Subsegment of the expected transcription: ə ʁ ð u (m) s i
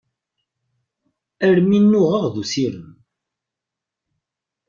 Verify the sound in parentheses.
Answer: incorrect: none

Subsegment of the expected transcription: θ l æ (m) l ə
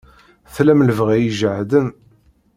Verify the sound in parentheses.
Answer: correct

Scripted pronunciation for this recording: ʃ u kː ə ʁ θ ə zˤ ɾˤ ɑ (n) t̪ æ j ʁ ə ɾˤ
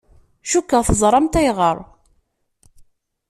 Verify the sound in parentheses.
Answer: incorrect: m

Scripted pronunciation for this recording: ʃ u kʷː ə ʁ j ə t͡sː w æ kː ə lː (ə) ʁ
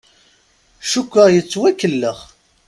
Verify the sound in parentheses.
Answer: correct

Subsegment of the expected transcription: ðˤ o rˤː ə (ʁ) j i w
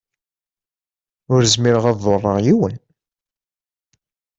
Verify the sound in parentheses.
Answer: correct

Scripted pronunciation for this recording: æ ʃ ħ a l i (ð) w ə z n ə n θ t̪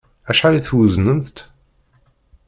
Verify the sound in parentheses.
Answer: incorrect: θ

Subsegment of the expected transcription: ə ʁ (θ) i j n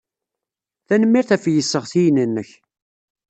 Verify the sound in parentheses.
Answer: correct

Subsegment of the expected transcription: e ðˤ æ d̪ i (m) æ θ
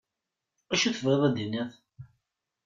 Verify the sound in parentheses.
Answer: incorrect: n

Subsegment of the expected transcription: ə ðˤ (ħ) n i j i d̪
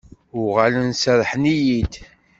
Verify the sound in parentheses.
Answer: correct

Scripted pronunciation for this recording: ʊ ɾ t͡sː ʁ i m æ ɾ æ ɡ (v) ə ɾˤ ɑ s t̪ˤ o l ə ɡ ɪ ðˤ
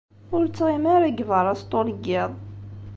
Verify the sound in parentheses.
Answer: correct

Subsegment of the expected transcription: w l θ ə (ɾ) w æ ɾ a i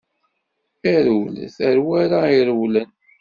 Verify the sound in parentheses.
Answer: correct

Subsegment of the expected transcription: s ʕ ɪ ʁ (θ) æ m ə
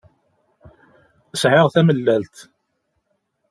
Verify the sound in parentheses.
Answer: correct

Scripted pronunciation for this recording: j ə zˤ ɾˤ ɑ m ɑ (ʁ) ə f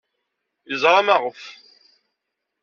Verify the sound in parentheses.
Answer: correct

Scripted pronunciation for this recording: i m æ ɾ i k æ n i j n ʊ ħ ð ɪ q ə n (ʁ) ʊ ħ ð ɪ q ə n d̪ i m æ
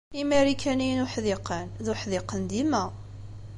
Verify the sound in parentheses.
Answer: incorrect: ð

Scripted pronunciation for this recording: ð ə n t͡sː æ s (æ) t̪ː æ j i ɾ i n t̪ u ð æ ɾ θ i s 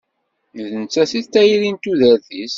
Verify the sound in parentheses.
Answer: incorrect: i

